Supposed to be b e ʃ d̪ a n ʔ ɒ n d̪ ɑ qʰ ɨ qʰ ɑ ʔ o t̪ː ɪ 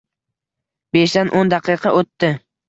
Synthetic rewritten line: b e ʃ d̪ a n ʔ o n d̪ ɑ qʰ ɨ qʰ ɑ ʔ o t̪ː ɪ

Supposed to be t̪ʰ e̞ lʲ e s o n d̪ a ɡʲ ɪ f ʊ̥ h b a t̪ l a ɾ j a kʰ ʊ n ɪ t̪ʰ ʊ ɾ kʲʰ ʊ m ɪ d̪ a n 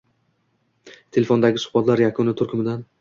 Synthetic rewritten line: t̪ʰ e̞ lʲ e f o n d̪ a ɡʲ ɪ s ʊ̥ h b a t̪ l a ɾ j a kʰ ʊ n ɪ t̪ʰ ʊ ɾ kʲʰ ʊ m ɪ d̪ a n

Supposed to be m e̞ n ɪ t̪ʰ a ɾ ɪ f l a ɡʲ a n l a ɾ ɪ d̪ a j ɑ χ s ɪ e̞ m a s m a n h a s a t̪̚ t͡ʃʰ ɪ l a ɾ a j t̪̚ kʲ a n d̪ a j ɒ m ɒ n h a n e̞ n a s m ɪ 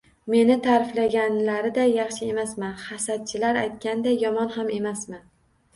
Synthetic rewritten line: m e̞ n ɪ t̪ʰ a ɾ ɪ f l a ɡʲ a n l a ɾ ɪ d̪ a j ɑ χ ʃ ɪ e̞ m a s m a n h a s a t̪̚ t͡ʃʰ ɪ l a ɾ a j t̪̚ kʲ a n d̪ a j ɒ m ɒ n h a m e̞ m a s m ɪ

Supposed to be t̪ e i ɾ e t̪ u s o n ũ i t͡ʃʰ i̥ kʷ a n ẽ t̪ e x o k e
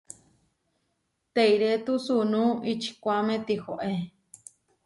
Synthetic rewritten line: t̪ e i ɾ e t̪ u s u n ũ i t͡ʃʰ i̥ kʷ a m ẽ t̪ i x o ʔ e

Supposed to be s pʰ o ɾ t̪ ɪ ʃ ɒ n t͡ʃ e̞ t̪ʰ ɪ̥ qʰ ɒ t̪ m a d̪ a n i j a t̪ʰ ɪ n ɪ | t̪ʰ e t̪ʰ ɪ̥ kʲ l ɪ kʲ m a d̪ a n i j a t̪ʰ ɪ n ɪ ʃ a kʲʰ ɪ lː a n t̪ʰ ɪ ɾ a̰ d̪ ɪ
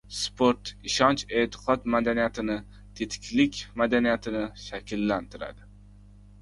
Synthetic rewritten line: s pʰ o ɾ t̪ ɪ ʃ ɒ n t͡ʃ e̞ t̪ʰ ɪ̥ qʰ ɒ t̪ m a d̪ a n i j a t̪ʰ ɪ n ɪ | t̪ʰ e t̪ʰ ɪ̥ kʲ l ɪ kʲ m a d̪ a n i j a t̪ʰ ɪ n ɪ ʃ a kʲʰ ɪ lː a n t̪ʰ ɪ ɾ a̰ d̪ ɪ

